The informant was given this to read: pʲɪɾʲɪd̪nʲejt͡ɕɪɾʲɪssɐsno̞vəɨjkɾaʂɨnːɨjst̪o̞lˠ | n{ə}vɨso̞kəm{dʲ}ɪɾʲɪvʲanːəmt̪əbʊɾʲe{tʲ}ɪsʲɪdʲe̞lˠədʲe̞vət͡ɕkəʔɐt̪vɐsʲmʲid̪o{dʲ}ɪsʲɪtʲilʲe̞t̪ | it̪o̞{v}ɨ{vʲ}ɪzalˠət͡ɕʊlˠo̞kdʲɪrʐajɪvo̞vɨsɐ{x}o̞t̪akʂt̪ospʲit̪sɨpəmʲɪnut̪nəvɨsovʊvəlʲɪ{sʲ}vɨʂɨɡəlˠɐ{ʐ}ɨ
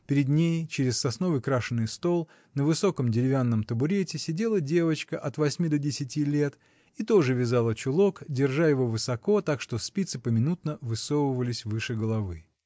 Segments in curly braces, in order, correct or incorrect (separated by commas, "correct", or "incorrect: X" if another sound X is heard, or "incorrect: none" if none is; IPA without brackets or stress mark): correct, correct, correct, correct, incorrect: ʐ, correct, incorrect: k, correct, incorrect: v